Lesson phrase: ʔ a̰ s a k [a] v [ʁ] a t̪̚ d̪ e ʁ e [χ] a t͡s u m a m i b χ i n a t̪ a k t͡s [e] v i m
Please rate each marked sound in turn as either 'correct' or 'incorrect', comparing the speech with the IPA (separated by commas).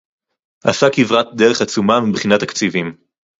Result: incorrect, correct, correct, incorrect